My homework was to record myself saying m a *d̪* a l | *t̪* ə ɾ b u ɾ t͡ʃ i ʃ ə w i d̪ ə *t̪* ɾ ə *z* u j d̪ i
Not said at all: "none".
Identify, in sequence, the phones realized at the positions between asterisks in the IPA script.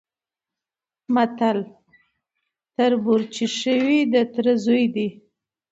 t̪, t̪, t̪, z

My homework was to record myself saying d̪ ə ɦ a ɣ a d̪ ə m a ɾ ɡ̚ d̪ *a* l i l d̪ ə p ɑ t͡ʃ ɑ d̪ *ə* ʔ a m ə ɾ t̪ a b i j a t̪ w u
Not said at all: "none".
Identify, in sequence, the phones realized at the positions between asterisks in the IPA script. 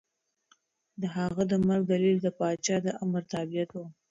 a, ə

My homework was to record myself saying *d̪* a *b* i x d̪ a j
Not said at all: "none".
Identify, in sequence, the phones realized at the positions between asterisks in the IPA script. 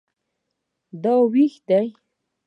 d̪, w

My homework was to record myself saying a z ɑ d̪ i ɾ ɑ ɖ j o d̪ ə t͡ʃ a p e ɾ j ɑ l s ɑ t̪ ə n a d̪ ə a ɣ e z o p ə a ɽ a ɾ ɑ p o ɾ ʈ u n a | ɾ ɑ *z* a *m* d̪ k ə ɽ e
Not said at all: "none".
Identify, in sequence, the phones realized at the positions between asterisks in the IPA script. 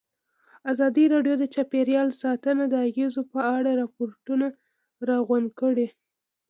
ɣ, n

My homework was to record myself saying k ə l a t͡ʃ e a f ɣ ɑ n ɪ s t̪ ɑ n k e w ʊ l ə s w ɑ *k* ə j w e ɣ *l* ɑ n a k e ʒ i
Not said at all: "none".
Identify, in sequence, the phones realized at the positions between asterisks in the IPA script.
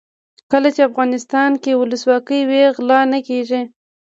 k, l

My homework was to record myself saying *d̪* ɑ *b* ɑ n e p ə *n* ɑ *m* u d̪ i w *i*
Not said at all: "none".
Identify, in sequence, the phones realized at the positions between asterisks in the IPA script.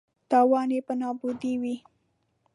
t̪, w, n, b, i

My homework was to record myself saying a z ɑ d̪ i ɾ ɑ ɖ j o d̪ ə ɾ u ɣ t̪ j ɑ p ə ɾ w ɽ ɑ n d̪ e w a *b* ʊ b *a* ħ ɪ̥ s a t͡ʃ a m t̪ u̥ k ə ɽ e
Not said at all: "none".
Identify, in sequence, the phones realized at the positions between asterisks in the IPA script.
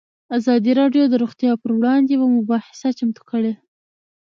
m, ɑ

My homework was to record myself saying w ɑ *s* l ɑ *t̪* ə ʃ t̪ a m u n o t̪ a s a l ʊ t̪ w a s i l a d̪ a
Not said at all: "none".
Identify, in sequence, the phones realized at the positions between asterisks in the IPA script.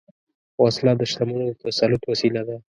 s, d̪

